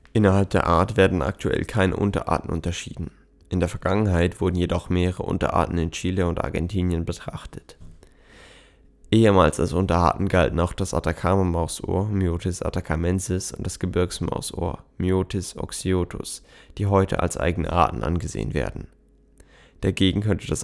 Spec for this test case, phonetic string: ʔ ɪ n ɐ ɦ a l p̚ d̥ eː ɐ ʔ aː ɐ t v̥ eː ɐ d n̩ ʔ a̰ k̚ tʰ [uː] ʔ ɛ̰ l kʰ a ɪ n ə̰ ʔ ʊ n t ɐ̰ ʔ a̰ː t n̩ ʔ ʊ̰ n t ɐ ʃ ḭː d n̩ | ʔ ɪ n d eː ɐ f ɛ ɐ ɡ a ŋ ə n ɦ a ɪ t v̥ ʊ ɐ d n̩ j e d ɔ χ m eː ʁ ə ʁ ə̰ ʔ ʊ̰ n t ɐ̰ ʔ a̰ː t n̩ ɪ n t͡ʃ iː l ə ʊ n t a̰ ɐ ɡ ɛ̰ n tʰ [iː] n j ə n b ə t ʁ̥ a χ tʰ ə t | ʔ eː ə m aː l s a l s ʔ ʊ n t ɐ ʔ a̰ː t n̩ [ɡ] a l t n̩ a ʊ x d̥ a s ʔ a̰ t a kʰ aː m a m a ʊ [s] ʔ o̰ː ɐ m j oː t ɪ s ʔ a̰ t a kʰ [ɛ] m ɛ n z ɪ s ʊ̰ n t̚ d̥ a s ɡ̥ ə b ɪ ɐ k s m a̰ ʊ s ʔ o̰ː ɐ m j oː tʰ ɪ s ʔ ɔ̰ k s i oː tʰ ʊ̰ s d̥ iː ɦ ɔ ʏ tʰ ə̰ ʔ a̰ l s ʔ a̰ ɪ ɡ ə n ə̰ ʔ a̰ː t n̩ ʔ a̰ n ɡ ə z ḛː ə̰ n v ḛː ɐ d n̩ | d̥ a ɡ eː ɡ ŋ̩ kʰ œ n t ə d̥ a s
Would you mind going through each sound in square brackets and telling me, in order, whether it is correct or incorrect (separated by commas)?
incorrect, correct, correct, correct, incorrect